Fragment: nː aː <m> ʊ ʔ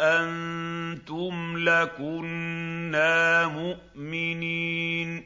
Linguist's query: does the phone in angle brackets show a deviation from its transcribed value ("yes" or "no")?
no